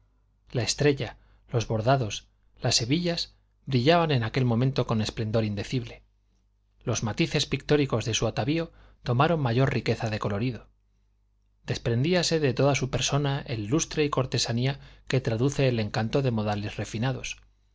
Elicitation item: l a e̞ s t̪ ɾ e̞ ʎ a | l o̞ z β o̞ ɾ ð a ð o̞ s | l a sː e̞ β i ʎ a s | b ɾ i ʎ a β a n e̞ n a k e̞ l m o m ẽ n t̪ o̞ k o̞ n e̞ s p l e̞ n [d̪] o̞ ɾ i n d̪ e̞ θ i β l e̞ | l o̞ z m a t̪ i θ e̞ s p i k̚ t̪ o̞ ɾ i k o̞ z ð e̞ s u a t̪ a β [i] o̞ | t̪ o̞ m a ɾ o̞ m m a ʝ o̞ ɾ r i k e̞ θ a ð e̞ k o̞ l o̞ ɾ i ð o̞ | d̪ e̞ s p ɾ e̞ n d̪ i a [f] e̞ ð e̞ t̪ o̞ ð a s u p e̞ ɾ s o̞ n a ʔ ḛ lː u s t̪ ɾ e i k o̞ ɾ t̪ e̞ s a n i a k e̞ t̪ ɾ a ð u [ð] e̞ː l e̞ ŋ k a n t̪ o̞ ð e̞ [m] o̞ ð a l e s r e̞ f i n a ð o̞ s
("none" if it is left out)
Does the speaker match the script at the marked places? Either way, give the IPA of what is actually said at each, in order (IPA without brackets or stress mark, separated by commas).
d̪, i, s, θ, m